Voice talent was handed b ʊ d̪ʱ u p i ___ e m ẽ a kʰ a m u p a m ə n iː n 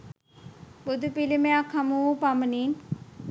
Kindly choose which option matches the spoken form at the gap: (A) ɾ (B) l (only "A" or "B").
B